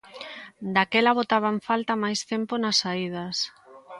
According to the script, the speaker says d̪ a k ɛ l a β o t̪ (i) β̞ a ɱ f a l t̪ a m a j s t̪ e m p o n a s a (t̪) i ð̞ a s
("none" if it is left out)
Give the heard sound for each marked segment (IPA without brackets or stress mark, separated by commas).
a, none